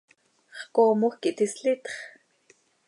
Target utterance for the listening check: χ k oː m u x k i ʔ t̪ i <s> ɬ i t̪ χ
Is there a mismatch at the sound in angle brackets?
no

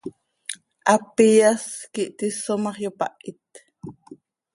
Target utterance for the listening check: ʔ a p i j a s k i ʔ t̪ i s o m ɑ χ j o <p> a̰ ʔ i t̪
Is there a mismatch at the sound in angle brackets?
no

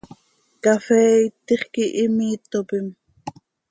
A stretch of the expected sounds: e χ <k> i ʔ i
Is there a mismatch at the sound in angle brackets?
no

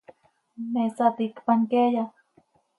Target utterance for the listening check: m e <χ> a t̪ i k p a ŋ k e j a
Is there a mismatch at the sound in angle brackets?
yes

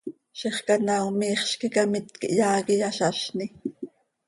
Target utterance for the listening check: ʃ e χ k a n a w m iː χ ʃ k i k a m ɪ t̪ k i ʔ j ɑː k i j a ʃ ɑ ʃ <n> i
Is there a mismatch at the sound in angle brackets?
no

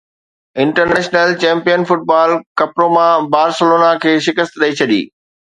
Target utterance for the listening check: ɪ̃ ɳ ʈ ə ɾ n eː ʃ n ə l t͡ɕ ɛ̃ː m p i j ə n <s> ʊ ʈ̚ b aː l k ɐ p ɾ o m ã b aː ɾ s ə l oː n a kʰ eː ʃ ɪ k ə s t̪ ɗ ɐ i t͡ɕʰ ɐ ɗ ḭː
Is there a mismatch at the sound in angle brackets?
yes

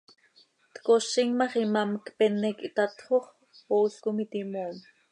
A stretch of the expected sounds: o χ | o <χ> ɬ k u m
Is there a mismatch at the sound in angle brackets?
yes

